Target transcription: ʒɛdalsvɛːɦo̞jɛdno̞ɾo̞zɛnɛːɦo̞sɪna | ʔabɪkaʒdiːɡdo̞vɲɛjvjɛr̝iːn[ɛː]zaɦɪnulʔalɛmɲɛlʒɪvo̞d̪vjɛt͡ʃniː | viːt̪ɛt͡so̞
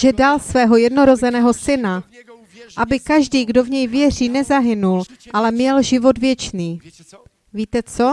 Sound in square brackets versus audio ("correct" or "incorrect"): incorrect